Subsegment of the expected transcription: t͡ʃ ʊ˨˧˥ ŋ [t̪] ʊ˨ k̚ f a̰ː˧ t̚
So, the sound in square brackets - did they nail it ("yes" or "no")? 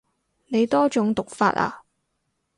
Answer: yes